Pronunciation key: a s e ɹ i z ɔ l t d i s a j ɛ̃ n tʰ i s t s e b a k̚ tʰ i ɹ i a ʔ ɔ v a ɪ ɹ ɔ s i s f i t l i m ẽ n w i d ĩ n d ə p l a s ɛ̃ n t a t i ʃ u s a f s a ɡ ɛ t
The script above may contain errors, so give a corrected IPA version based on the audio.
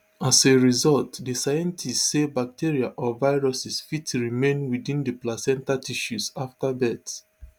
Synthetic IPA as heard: a s e ɹ i z ɔ l t d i s a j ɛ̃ n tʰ i s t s e b a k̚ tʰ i ɹ i a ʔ ɔ v a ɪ ɹ ɔ s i s f i t ɹ i m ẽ n w i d ĩ n d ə p l a s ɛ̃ n t a t i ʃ u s a f t a b ɛ t